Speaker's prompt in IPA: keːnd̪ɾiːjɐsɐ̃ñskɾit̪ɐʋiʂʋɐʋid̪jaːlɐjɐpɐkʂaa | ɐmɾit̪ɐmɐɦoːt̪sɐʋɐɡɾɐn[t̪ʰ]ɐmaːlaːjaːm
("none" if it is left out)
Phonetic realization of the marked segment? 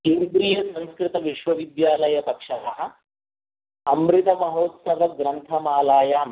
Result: t̪ʰ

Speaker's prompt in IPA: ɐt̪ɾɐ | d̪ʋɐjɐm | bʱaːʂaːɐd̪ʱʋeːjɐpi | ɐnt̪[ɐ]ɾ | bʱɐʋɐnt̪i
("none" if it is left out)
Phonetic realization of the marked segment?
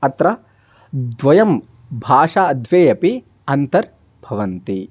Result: ɐ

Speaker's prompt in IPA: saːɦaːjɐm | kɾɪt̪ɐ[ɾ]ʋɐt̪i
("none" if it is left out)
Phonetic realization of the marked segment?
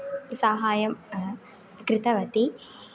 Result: none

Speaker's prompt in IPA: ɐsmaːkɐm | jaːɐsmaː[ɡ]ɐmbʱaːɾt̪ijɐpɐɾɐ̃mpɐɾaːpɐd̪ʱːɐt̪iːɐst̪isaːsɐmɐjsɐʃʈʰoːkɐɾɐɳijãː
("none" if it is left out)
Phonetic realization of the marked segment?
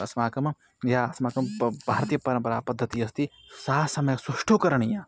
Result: k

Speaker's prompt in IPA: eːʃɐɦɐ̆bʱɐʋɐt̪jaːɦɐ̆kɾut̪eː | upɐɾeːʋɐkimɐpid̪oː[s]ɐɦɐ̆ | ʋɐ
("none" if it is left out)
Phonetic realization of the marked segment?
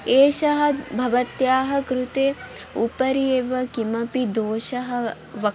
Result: ʃ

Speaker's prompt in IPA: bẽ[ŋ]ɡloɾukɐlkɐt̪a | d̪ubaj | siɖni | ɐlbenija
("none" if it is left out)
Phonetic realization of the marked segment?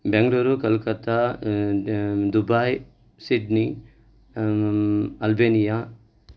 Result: ŋ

